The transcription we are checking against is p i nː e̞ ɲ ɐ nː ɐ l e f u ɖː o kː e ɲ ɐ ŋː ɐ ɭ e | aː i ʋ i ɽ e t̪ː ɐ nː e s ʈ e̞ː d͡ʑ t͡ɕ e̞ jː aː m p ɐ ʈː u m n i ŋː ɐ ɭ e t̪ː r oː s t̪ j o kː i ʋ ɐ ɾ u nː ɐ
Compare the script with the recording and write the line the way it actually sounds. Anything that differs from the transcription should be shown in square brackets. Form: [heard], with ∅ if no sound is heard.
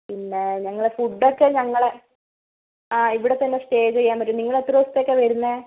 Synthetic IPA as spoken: p i nː e̞ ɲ ɐ [ŋː] ɐ [ɭ] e f u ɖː o kː e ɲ ɐ ŋː ɐ ɭ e | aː i ʋ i ɽ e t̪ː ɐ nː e s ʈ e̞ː d͡ʑ t͡ɕ e̞ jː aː m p ɐ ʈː u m n i ŋː ɐ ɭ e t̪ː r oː s t̪ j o kː [e] ʋ ɐ ɾ u nː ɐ